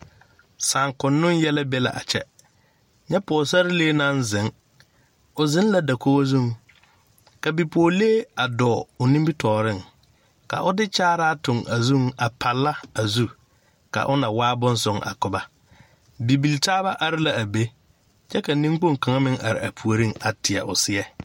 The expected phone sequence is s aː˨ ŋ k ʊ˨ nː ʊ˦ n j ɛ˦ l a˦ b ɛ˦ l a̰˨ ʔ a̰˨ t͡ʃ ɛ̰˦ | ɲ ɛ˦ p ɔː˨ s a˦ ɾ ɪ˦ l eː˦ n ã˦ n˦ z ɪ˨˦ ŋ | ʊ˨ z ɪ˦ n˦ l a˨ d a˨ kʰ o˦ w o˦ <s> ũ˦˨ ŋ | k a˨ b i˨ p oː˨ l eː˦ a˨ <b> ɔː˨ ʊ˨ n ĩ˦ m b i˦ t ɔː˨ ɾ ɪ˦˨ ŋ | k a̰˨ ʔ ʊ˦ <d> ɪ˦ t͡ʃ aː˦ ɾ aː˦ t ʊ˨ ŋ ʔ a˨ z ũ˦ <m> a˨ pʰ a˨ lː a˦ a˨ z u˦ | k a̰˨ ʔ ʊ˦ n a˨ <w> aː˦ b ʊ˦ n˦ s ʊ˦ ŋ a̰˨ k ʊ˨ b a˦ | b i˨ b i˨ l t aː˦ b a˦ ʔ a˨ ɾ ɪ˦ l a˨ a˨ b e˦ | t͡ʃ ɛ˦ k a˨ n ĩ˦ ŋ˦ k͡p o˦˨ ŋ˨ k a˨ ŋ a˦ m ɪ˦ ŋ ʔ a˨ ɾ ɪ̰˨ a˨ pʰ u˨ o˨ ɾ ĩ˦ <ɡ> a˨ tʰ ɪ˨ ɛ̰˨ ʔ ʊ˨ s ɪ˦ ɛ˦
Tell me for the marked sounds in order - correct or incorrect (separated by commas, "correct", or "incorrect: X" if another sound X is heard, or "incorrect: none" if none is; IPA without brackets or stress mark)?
incorrect: z, incorrect: d, correct, incorrect: ŋ, correct, incorrect: ŋ